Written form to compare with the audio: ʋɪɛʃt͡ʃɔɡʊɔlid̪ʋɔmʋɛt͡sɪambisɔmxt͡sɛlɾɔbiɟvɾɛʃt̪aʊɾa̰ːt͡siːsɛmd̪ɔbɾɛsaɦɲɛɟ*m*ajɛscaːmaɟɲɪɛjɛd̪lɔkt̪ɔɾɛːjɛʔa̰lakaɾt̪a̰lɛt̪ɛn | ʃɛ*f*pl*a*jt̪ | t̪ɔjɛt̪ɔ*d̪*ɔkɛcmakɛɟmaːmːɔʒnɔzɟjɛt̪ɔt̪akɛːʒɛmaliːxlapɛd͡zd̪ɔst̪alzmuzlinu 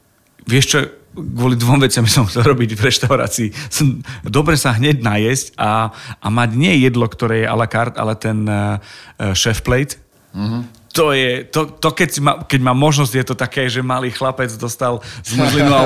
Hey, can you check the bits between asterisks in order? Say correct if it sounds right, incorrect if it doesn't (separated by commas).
incorrect, correct, incorrect, incorrect